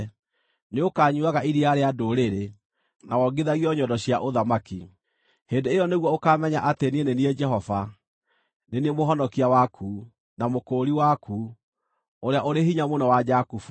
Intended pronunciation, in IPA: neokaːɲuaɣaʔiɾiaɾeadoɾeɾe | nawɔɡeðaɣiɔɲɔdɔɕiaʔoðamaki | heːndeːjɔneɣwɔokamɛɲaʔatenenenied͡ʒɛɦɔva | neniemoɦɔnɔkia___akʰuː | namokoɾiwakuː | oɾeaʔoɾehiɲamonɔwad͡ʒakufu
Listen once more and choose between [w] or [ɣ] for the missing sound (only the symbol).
w